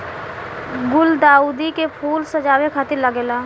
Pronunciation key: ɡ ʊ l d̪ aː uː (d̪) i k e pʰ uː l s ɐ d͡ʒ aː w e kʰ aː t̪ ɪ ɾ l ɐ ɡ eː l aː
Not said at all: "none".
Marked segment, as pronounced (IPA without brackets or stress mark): d̪